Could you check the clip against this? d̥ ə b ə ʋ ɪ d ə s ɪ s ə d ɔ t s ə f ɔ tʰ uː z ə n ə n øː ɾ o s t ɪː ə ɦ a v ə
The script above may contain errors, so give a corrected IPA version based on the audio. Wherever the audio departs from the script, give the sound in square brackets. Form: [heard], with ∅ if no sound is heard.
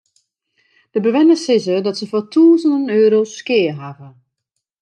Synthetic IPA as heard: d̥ ə b ə ʋ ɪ [n] ə s ɪ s ə d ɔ t s ə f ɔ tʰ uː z ə n ə n øː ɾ o s [k] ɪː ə ɦ a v ə